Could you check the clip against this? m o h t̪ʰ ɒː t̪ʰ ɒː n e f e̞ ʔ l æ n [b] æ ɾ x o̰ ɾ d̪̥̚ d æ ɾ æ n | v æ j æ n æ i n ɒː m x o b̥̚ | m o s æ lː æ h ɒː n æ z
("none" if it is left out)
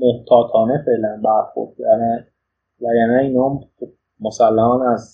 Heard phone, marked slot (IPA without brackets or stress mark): b